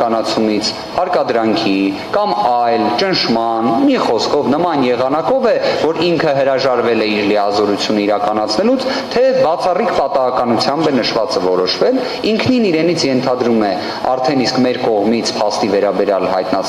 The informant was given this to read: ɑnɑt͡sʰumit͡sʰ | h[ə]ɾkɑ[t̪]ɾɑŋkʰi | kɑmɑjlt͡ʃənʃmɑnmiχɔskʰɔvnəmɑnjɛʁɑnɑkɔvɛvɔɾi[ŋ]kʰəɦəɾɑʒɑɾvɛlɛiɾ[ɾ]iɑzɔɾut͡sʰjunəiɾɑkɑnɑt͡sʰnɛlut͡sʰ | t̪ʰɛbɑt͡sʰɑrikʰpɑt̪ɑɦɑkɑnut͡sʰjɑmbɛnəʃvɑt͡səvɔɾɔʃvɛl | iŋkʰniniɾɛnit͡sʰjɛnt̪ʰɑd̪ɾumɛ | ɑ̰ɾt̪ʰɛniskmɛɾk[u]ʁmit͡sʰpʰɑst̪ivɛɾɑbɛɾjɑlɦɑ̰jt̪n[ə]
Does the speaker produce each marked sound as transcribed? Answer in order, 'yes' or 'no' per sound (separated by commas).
no, no, yes, no, no, no